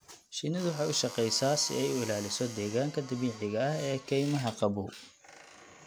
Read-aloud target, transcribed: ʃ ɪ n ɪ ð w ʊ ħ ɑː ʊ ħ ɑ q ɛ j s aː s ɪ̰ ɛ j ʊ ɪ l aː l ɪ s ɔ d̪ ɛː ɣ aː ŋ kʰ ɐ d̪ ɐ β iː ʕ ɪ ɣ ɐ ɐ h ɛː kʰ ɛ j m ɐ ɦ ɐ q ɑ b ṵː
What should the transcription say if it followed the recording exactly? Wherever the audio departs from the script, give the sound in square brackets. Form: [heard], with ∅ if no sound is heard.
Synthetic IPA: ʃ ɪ n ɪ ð w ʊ ħ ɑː ʊ [ʃ] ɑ q ɛ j s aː s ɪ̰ ɛ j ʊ ɪ l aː l ɪ s ɔ d̪ ɛː ɣ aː ŋ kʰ ɐ d̪ ɐ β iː ʕ ɪ ɣ ɐ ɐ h ɛː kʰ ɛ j m ɐ ɦ ɐ q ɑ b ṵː